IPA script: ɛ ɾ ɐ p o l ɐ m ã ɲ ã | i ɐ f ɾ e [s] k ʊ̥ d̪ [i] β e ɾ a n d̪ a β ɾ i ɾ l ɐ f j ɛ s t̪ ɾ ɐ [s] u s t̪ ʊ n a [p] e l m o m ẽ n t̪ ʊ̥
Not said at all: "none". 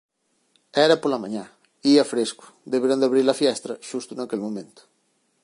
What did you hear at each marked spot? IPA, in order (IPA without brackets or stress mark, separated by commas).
s, e, ʃ, k